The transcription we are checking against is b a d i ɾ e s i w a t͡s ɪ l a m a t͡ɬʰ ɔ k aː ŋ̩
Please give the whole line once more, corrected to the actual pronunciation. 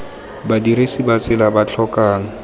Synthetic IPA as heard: b a d i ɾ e s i b a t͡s ɪ l a b a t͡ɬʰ ɔ k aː ŋ̩